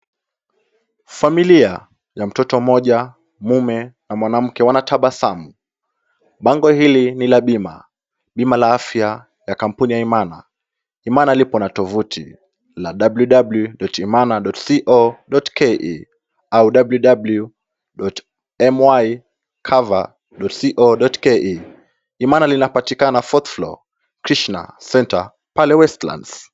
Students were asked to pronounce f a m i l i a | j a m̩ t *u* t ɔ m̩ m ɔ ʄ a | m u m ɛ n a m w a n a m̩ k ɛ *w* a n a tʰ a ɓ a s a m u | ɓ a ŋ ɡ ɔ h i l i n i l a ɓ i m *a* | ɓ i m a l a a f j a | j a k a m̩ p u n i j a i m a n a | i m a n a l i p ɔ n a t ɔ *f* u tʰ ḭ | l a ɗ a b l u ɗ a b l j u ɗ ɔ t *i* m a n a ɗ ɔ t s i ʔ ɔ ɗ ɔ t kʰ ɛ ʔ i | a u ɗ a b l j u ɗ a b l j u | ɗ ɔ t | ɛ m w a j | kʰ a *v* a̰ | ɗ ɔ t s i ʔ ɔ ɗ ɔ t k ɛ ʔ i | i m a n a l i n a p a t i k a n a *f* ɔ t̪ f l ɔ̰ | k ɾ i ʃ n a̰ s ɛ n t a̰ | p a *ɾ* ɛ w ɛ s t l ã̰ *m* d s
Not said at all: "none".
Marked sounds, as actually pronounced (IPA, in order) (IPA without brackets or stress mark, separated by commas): ɔ, w, a, v, i, v, f, l, n